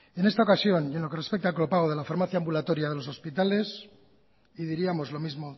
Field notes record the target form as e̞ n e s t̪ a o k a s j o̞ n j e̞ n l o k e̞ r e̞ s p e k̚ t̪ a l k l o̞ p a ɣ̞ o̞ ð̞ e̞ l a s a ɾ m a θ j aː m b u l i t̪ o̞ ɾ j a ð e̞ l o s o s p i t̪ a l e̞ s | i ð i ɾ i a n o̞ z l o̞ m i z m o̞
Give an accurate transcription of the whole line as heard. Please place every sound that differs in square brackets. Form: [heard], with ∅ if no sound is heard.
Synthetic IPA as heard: e̞ n e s t̪ a o k a s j o̞ n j e̞ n l o k e̞ r e̞ s p e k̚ t̪ a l k l o̞ p a ɣ̞ o̞ ð̞ e̞ l a [f] a ɾ m a θ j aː m b u l [a] t̪ o̞ ɾ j a ð e̞ l o s o s p i t̪ a l e̞ s | i ð i ɾ i a [m] o̞ z l o̞ m i z m o̞